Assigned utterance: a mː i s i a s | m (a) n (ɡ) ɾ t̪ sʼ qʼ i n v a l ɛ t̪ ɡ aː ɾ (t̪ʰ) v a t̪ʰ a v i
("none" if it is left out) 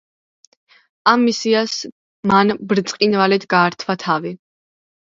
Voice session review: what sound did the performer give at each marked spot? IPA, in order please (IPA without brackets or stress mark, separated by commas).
a, b, t̪ʰ